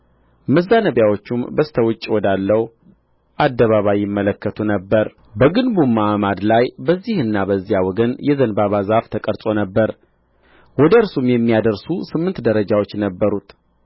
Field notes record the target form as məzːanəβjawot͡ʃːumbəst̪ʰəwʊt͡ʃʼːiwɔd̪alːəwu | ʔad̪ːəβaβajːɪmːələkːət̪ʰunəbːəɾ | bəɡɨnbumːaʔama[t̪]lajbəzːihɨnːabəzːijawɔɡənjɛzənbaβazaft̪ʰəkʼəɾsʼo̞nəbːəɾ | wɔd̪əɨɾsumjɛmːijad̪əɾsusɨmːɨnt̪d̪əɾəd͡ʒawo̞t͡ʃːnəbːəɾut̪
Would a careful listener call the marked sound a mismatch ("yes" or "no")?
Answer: yes